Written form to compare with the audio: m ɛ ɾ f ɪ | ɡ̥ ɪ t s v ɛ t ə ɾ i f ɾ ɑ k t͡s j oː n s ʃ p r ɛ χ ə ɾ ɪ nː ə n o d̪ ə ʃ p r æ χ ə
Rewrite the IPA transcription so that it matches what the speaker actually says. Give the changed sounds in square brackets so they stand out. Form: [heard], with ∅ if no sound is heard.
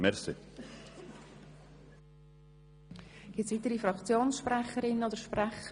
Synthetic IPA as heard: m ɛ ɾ [s] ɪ | ɡ̥ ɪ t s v [i] t ə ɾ i f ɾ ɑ k t͡s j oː n s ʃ p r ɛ χ ə ɾ ɪ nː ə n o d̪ ə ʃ p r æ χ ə